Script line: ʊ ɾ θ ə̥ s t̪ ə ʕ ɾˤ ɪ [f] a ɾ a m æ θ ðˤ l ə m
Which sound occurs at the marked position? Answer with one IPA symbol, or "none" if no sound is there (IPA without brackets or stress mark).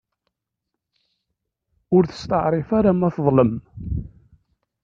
f